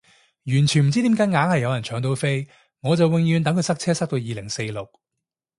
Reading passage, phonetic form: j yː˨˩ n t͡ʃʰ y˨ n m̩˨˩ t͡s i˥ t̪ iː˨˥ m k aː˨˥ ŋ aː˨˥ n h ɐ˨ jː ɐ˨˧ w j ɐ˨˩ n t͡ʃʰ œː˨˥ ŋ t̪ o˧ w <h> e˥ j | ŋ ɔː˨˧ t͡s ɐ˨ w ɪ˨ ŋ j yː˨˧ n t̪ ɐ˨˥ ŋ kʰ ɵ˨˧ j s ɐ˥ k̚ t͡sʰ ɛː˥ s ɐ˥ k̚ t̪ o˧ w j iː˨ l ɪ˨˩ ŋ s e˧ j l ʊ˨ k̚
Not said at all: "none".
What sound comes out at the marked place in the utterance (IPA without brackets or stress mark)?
f